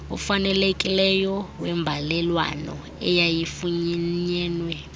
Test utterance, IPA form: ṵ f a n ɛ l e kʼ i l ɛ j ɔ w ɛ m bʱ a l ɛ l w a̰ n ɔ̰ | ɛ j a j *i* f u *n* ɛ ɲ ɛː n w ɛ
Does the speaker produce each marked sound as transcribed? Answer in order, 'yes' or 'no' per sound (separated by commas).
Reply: yes, no